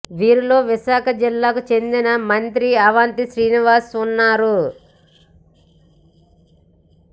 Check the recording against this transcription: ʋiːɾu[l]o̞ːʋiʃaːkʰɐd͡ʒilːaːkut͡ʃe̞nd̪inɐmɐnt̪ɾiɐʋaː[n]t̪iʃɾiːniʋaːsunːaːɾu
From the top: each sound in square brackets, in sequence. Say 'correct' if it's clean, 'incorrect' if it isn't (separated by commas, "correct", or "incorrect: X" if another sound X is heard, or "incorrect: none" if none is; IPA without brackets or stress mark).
correct, correct